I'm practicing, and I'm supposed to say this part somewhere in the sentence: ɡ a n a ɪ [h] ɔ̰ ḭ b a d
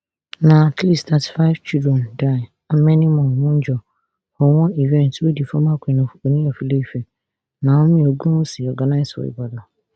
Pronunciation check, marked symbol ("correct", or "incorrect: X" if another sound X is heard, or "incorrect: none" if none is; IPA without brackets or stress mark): incorrect: s